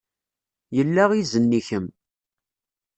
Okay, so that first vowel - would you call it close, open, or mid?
mid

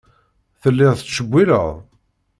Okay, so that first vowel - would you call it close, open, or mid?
mid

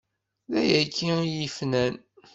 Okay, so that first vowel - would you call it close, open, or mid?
open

